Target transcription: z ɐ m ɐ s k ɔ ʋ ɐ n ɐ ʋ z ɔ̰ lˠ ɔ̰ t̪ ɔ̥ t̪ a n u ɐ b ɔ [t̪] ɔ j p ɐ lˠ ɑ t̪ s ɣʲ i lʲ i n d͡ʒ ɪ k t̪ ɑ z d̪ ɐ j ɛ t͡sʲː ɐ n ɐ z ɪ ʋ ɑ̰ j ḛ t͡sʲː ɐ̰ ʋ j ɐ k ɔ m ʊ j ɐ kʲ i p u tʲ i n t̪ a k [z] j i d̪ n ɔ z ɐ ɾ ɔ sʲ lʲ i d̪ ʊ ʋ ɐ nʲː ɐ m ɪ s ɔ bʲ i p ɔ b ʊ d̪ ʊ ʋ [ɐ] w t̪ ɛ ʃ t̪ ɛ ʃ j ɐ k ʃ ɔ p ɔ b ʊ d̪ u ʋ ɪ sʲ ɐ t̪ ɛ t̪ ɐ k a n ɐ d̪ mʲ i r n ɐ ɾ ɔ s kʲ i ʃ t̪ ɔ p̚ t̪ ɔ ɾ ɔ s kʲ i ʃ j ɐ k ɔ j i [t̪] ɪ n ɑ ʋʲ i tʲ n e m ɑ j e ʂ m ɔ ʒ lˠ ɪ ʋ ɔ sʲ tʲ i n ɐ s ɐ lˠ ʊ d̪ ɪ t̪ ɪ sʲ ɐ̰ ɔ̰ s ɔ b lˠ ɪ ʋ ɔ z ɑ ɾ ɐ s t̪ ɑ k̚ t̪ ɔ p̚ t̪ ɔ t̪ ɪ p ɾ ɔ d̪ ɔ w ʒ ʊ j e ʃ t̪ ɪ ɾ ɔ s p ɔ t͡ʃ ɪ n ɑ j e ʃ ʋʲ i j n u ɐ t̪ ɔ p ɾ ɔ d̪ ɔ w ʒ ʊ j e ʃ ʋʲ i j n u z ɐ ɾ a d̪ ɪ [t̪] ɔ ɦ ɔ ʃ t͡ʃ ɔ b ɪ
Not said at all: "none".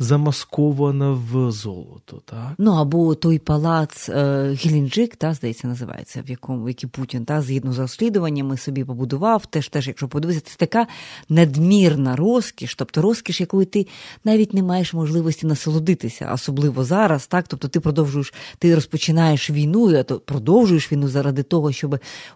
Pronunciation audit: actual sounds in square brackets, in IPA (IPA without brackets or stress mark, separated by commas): t̪, z, ɑ, t̪, t̪